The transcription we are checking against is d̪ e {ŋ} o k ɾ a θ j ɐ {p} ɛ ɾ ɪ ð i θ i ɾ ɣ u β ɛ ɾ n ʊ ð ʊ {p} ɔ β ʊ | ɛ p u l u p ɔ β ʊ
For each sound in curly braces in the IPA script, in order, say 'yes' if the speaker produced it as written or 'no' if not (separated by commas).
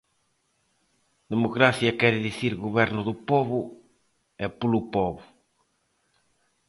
no, no, yes